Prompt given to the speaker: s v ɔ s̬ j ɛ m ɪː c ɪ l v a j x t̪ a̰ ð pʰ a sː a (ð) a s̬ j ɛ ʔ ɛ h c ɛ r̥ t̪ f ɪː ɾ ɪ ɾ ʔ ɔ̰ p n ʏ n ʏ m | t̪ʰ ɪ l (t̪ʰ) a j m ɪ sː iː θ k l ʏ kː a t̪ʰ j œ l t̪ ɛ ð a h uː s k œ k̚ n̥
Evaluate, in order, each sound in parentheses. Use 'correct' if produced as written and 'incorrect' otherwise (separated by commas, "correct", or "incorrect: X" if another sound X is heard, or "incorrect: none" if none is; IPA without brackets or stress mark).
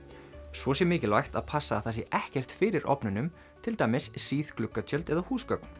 incorrect: θ, incorrect: t̪